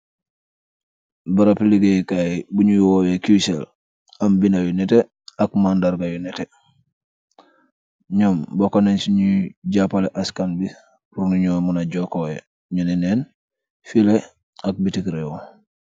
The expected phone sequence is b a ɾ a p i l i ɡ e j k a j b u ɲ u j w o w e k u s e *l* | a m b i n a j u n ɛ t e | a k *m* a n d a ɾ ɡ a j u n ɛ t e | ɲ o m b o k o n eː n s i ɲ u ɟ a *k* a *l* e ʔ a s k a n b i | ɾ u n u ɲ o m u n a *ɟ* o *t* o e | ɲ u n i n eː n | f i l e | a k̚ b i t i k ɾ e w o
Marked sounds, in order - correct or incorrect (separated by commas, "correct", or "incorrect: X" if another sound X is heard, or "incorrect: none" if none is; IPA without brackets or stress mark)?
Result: correct, correct, incorrect: p, correct, correct, incorrect: k